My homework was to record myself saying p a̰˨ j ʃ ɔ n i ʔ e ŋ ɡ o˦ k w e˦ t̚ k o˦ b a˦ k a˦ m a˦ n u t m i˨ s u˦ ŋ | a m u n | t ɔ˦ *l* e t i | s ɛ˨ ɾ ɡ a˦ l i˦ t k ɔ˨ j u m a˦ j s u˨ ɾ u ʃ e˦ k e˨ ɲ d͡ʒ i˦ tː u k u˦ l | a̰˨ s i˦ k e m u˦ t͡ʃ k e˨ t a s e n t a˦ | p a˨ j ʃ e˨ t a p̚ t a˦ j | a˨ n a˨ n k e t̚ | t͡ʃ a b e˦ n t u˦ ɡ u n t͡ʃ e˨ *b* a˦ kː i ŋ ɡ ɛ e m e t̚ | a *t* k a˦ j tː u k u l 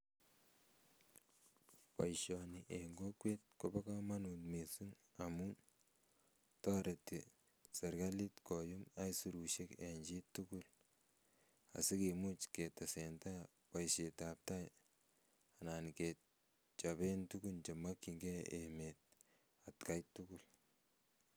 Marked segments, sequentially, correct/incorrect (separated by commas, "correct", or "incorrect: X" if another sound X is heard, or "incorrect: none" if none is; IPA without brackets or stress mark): incorrect: ɾ, incorrect: m, correct